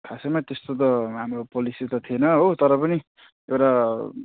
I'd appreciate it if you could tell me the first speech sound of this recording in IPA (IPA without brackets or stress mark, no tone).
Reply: kʰ